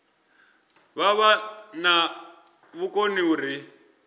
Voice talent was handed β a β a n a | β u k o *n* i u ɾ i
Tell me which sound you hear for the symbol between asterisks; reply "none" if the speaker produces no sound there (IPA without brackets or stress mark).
n